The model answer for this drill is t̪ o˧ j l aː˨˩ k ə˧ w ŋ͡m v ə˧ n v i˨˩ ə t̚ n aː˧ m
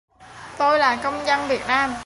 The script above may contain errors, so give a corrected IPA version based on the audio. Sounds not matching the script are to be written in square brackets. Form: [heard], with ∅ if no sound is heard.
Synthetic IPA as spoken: t̪ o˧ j l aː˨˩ k ə˧ w ŋ͡m [z] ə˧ n v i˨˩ ə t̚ n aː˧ m